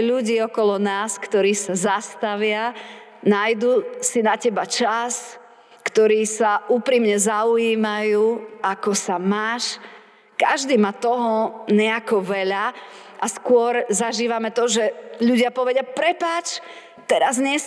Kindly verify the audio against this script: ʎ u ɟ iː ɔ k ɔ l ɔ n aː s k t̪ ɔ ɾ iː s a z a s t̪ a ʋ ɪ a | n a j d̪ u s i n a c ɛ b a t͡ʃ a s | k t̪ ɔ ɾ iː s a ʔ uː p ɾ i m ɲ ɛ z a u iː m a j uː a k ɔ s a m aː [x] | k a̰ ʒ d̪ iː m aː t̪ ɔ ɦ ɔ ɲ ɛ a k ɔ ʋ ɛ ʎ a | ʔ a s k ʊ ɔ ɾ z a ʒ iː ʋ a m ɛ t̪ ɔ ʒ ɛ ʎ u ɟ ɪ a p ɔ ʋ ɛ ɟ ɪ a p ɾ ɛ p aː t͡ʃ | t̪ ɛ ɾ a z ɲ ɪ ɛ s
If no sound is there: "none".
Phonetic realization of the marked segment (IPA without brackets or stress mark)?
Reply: ʃ